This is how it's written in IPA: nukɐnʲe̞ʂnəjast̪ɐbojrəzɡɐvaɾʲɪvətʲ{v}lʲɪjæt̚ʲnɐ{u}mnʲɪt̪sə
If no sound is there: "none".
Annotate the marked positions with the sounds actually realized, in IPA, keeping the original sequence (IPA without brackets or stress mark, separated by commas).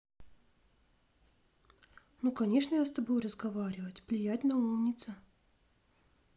v, u